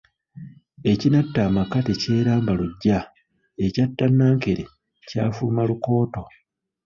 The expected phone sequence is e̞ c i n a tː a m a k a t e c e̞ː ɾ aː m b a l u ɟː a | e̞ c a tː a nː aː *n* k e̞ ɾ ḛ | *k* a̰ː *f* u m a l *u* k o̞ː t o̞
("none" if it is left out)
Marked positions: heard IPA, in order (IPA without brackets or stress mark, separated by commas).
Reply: ŋ, c, f, u